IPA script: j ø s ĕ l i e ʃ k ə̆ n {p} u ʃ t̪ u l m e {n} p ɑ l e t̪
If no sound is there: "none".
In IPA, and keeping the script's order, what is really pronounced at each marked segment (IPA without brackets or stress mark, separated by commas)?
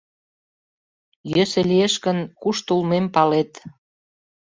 k, m